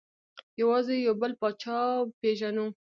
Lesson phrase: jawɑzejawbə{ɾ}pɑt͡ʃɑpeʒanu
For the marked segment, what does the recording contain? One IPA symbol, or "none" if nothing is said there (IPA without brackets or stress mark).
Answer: l